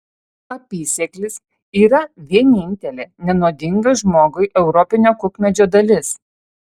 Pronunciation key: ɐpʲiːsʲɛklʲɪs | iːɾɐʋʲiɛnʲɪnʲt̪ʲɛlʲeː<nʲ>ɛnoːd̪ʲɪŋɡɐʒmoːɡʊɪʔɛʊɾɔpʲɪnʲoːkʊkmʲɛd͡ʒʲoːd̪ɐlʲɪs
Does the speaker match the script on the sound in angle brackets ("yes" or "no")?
yes